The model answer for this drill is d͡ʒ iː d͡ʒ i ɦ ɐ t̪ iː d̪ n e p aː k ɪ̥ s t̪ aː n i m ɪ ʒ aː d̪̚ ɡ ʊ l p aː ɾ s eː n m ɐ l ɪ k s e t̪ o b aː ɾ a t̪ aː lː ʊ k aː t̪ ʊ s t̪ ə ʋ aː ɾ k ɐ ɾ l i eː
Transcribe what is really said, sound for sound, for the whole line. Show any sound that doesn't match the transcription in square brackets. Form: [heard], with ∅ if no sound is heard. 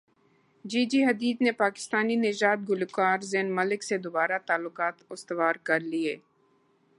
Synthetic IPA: d͡ʒ iː d͡ʒ i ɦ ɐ [d̪] iː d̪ n e p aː k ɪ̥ s t̪ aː n i [n] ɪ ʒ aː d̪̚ ɡ ʊ l [k] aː ɾ [z] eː n m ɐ l ɪ k s e [d̪] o b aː ɾ a t̪ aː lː ʊ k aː t̪ ʊ s t̪ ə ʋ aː ɾ k ɐ ɾ l i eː